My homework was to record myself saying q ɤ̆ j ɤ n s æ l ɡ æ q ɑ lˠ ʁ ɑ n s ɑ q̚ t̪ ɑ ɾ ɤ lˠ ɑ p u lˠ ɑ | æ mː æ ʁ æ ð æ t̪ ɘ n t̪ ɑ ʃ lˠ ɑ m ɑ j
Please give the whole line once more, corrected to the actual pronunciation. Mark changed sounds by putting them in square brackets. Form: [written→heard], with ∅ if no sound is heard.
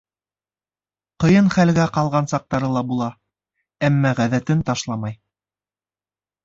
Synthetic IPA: q ɤ̆ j ɤ n [s→χ] æ l ɡ æ q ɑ lˠ ʁ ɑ n s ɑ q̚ t̪ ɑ ɾ ɤ lˠ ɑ [p→b] u lˠ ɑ | æ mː æ ʁ æ ð æ t̪ ɘ n t̪ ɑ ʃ lˠ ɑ m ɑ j